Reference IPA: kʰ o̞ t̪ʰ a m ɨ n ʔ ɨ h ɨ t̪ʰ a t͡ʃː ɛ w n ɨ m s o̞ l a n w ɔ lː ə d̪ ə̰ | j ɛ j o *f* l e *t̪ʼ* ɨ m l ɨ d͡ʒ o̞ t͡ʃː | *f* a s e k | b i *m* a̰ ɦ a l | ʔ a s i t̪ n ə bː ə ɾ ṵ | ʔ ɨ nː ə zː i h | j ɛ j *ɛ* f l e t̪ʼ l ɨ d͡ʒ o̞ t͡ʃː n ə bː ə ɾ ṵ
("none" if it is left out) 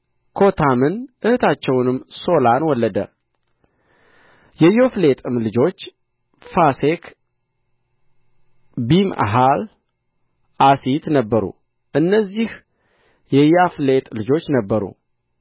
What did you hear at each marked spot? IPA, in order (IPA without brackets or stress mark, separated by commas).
f, t̪ʼ, f, m, a